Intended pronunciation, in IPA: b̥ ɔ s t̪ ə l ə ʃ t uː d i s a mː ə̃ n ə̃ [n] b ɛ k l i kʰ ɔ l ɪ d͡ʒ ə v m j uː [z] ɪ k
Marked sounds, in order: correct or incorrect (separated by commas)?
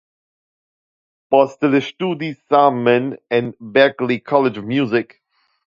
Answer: correct, correct